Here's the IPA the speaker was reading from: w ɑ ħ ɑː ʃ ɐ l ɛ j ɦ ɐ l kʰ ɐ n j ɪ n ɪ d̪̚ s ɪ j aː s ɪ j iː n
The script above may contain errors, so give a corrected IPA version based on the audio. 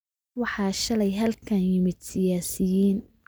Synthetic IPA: w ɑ ħ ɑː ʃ ɐ l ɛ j ɦ ɐ l kʰ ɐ n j ɪ m ɪ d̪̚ s ɪ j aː s ɪ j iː n

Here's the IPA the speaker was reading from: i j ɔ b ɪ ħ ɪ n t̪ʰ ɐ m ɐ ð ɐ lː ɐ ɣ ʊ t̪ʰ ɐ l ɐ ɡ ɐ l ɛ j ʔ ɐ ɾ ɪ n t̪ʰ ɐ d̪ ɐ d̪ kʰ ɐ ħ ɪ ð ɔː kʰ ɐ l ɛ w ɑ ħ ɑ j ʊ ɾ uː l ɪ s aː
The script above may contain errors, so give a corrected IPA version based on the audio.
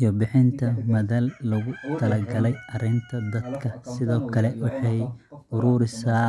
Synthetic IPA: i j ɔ b ɪ ħ ɪ n t̪ʰ ɐ m ɐ ð ɐ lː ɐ ɣ ʊ t̪ʰ ɐ l ɐ ɡ ɐ l ɛ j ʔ ɐ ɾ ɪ n t̪ʰ ɐ d̪ ɐ d̪ kʰ ɐ s ɪ ð ɔː kʰ ɐ l ɛ w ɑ ħ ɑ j ʊ ɾ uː ɾ ɪ s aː

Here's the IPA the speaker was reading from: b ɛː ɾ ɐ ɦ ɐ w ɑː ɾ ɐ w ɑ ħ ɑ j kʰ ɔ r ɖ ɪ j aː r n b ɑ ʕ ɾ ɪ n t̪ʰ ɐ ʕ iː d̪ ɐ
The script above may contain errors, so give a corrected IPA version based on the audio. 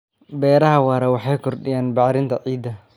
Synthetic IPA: b ɛː ɾ ɐ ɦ ɐ w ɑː ɾ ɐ w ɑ ħ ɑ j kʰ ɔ r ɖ ɪ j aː n b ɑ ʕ ɾ ɪ n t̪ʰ ɐ ʕ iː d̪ ɐ

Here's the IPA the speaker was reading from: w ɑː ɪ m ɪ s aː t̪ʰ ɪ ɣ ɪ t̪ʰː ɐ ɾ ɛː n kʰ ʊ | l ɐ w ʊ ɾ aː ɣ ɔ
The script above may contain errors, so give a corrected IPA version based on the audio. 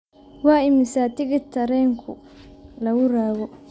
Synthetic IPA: w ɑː ɪ m ɪ s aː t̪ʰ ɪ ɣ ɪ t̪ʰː ɐ ɾ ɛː ŋ kʰ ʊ | l ɐ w ʊ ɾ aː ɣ ɔ

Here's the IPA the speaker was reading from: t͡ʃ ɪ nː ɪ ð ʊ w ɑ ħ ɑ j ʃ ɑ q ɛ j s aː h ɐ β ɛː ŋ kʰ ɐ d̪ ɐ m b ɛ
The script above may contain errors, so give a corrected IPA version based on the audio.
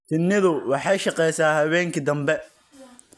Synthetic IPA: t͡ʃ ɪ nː ɪ ð ʊ w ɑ ħ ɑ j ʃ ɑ q ɛ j s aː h ɐ β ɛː ŋ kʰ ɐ d̪ ɐ m b ɛ

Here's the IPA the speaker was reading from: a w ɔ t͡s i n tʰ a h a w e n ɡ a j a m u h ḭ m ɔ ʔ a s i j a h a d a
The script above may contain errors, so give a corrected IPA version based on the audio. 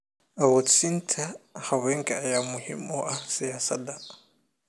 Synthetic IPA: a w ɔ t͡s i n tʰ a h a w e ŋ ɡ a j a m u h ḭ m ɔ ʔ a s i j a s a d a

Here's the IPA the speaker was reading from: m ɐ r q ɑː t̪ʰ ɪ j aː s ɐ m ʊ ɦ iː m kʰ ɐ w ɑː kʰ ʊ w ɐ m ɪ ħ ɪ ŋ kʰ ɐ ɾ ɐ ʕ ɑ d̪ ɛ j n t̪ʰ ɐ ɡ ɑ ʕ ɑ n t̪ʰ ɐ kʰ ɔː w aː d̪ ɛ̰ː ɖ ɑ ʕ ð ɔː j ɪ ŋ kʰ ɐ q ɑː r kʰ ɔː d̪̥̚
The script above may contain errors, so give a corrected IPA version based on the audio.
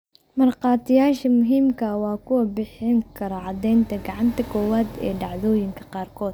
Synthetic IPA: m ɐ r q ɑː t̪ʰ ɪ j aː ʃ ɐ m ʊ ɦ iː m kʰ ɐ w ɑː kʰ ʊ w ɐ b ɪ ħ ɪ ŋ kʰ ɐ ɾ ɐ ʕ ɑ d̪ ɛ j n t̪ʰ ɐ ɡ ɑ ʕ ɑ n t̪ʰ ɐ kʰ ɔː w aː d̪ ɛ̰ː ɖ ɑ ʕ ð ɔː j ɪ ŋ kʰ ɐ q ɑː r kʰ ɔː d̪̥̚

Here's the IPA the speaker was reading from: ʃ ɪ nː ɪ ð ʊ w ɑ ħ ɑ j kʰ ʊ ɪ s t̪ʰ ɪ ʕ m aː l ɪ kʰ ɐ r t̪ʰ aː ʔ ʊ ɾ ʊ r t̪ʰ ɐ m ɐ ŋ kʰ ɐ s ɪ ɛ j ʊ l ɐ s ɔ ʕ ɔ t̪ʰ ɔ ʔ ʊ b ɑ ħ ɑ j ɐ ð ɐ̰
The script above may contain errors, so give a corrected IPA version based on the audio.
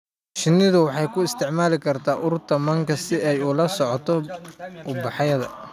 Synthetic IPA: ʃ ɪ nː ɪ ð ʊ w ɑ ħ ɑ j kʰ ʊ ɪ s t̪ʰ ɪ ʕ m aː l ɪ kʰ ɐ r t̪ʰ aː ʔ ʊ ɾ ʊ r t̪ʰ ɐ m ɐ ŋ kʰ ɐ s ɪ ɛ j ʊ l ɐ s ɔ ʕ ɔ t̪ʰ ɔ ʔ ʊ b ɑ ħ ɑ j ɐ ð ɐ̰

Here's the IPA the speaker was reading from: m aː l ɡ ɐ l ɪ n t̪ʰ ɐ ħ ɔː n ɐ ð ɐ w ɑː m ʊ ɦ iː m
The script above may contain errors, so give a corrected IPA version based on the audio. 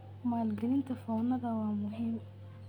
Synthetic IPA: m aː l ɡ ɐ l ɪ n t̪ʰ ɐ f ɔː n ɐ ð ɐ w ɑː m ʊ ɦ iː m

